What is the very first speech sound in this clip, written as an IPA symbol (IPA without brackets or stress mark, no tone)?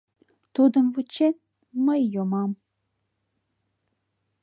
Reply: t̪